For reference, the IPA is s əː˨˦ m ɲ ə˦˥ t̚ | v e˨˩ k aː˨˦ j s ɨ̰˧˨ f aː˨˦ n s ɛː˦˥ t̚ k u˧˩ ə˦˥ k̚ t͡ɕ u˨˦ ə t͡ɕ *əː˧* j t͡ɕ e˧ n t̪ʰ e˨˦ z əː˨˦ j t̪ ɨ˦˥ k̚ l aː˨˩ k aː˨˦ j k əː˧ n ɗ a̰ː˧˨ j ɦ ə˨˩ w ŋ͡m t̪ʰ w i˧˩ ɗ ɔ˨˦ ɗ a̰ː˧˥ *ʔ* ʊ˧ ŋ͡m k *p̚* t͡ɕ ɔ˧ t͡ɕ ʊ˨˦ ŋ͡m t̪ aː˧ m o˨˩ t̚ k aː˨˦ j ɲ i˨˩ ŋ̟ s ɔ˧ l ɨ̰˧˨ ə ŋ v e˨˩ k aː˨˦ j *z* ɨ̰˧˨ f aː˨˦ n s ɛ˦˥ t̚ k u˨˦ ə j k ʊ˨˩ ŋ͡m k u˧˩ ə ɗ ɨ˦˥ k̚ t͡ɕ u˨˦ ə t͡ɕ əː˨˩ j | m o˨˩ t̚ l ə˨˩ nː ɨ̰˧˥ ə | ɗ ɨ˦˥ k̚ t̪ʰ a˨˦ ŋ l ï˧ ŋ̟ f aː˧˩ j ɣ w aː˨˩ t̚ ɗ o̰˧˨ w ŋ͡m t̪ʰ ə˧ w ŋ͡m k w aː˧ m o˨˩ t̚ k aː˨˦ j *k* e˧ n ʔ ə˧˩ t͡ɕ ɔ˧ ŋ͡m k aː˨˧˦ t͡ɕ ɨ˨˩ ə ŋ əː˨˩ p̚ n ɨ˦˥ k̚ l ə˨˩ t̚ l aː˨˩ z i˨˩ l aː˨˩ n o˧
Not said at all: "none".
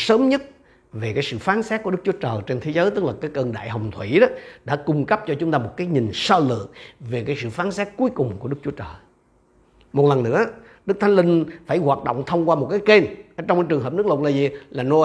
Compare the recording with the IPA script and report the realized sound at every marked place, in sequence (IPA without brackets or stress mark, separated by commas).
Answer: əː˨˩, k, p̚, s, k